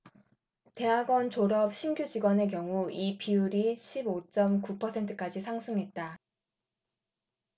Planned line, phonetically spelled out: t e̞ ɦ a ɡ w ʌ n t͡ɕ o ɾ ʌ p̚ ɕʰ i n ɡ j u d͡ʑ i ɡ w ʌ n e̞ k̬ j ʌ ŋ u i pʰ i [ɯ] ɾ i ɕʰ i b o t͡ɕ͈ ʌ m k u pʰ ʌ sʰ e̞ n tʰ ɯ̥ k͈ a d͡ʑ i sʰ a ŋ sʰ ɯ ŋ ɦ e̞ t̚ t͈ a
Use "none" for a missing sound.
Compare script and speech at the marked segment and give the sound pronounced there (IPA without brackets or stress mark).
u